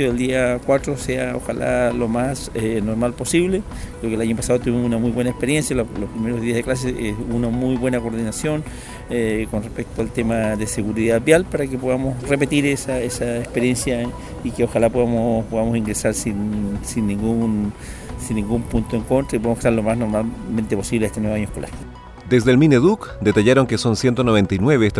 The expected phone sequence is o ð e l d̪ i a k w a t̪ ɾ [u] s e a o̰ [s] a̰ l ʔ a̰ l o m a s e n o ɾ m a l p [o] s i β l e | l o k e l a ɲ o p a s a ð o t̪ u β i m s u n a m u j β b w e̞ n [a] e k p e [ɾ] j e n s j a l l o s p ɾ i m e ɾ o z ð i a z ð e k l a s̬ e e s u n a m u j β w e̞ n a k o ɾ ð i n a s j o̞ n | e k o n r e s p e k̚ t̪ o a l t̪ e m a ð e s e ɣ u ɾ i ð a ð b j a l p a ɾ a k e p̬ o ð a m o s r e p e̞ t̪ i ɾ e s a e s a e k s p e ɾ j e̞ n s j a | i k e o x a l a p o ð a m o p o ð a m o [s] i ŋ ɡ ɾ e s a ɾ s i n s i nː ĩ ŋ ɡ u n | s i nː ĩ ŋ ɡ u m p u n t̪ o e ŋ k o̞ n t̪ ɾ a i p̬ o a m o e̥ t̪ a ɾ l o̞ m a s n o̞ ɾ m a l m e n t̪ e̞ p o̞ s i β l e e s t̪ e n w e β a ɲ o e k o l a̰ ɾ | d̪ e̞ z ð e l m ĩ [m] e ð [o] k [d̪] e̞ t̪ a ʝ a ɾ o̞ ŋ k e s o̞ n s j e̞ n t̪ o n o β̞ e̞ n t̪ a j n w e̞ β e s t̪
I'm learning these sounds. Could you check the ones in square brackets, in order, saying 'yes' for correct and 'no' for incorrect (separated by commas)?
no, no, yes, yes, yes, yes, no, no, yes